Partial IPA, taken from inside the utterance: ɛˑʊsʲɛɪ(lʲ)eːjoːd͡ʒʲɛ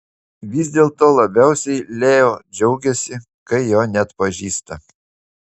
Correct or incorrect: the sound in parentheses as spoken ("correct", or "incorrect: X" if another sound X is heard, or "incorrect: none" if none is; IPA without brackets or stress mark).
correct